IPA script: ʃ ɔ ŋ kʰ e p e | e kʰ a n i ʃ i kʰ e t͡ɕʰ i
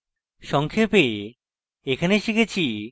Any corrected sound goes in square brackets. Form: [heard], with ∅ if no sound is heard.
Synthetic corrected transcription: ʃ ɔ ŋ kʰ e p e | e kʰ a n [e] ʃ i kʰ e t͡ɕʰ i